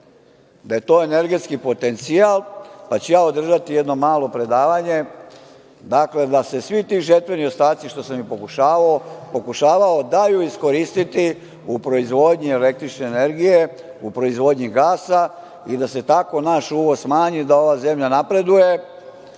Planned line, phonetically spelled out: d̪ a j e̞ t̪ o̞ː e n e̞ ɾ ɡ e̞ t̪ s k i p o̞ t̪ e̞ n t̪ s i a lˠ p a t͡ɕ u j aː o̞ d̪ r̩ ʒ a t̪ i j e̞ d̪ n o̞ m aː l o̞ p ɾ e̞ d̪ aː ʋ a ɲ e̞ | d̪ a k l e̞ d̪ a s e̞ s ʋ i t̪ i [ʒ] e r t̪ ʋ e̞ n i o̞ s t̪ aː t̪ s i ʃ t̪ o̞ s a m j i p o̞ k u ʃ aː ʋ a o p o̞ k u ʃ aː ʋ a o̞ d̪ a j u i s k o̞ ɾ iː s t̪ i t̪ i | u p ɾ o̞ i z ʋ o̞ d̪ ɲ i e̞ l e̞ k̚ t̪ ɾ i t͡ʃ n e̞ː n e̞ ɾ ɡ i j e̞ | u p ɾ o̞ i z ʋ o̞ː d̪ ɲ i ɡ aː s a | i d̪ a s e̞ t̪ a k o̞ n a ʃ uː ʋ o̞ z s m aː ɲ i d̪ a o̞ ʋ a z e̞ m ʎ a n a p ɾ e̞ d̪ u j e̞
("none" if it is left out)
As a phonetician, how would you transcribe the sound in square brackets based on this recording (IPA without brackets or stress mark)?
ʒ